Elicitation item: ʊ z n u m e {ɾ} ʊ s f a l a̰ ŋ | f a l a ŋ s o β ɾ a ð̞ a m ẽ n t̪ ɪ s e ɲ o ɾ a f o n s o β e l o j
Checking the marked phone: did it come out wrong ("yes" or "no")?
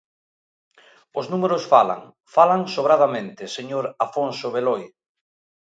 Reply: no